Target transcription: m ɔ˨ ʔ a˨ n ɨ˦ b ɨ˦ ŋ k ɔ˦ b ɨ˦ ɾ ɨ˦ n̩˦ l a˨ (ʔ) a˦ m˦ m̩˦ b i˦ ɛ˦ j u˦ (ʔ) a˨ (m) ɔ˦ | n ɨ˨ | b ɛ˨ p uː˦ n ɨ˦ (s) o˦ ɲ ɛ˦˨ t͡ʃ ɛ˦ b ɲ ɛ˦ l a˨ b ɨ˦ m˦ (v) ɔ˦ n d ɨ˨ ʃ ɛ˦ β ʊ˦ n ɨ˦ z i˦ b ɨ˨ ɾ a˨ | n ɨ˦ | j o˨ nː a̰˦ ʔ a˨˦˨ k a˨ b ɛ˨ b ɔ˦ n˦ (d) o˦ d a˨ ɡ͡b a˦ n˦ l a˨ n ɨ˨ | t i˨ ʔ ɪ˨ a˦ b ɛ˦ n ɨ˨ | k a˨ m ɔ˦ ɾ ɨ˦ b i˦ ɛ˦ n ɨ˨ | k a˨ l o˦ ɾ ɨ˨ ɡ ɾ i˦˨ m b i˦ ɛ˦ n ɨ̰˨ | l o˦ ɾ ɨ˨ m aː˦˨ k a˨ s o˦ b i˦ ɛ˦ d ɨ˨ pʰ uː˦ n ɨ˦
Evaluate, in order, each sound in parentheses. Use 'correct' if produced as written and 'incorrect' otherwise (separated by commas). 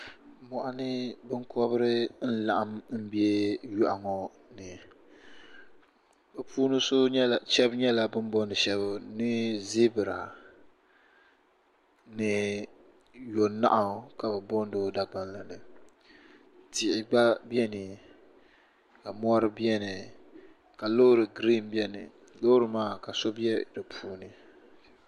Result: correct, correct, incorrect, correct, incorrect, correct